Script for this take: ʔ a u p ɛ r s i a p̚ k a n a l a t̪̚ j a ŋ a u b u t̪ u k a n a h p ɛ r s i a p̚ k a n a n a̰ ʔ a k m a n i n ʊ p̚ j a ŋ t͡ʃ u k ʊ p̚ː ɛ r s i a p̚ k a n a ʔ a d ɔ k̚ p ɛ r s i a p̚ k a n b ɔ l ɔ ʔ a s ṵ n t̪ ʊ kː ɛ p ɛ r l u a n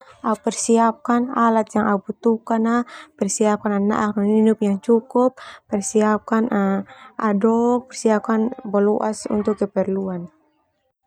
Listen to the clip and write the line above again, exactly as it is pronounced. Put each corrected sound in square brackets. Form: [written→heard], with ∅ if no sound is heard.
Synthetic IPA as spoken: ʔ a u p ɛ r s i a p̚ k a n a l a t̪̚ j a ŋ a u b u t̪ u k a n a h p ɛ r s i a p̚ k a n a n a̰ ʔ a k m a n i n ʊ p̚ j a ŋ t͡ʃ u k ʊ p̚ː ɛ r s i a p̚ k a n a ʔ a d ɔ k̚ p ɛ r s i a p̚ k a n b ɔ l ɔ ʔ a s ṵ n t̪ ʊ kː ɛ p ɛ r l u a n

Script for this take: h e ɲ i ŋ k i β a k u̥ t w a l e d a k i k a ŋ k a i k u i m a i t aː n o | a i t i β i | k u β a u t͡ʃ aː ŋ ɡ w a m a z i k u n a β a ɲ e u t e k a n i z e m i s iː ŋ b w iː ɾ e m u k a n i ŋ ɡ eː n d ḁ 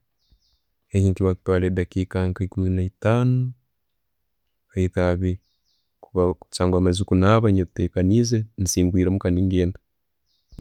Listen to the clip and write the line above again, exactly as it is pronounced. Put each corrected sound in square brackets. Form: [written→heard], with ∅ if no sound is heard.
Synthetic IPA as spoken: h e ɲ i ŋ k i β a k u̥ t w a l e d a k i k a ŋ k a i k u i [m→n] a i t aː n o | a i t [i→a] β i | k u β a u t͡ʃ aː ŋ ɡ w a m a z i k u n a β a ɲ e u t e k a n i z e [m→n] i s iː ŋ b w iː ɾ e m u k a n i ŋ ɡ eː n d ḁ

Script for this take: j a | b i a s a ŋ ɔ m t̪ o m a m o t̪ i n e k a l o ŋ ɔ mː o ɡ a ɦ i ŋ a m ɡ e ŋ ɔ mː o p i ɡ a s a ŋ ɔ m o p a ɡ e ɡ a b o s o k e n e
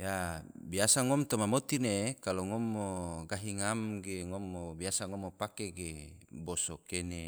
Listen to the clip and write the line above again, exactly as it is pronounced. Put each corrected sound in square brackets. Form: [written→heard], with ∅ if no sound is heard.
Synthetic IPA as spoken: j a | b i a s a ŋ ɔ m t̪ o m a m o t̪ i n e k a l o ŋ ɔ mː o ɡ a ɦ i ŋ a m ɡ e ŋ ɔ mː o [p→b] i [ɡ→∅] a s a ŋ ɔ m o p a [ɡ→k] e ɡ [a→e] b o s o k e n e

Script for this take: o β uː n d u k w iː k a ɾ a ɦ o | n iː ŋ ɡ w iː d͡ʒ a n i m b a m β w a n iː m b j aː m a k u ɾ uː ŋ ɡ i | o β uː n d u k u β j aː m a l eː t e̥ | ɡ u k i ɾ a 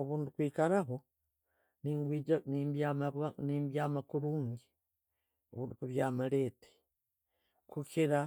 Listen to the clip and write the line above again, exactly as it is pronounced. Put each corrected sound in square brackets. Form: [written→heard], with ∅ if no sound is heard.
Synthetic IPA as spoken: o β uː n d u k w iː k a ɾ a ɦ o | n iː ŋ ɡ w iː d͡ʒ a n i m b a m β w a n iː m b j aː m a k u ɾ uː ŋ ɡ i | o β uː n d u k u β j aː m a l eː t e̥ | [ɡ→k] u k i ɾ a

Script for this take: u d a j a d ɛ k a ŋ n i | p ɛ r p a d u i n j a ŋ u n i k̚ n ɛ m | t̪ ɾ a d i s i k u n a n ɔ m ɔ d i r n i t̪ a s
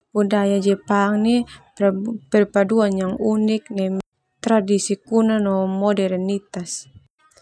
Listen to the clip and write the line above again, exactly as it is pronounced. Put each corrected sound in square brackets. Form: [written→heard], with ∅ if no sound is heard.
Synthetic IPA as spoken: u d a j a [d→d͡ʒ] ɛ [k→p] a ŋ n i | p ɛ r p a d u [i→a] n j a ŋ u n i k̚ n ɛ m | t̪ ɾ a d i s i k u n a n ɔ m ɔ d [i→ɛ] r n i t̪ a s

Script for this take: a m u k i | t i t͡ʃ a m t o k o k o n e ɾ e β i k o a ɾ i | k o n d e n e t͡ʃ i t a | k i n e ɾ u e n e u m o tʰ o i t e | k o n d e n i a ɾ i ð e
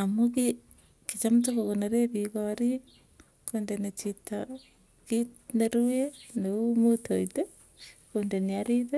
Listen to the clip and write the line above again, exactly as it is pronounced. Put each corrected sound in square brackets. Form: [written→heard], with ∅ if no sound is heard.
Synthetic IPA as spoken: a m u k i | [t→k] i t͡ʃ a m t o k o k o n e ɾ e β i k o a ɾ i | k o n d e n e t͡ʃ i t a | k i n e ɾ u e n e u m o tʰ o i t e | k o n d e n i a ɾ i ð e

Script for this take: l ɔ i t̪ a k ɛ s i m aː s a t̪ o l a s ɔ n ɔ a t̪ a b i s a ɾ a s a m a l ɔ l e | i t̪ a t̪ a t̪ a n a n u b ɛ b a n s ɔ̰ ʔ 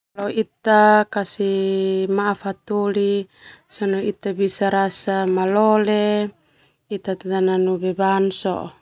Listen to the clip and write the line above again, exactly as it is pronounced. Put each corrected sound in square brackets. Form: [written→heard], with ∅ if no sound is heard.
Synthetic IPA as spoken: l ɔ i t̪ a k [ɛ→a] s i m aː [s→f] a t̪ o l [a→i] s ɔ n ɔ [a→i] t̪ a b i s a ɾ a s a m a l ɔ l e | i t̪ a t̪ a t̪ a n a n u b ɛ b a n s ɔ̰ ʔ

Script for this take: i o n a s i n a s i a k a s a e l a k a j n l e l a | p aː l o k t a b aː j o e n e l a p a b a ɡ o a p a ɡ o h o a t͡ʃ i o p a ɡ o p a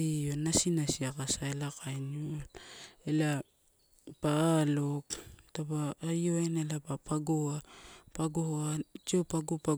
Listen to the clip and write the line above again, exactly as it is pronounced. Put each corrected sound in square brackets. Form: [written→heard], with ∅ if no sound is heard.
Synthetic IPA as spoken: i o n a s i n a s i a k a s a e l a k a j n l e l a | p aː l o k t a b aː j o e n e l a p a [b→p] a ɡ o a p a ɡ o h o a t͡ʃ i o p a ɡ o p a

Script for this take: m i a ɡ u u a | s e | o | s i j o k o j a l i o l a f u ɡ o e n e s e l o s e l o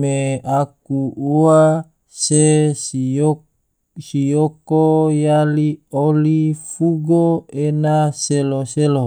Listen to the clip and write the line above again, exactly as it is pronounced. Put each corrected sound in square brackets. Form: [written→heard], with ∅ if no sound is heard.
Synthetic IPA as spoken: m [i→e] a [ɡ→k] u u a | s e | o | s i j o k o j a l i o l [a→i] f u ɡ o e n [e→a] s e l o s e l o

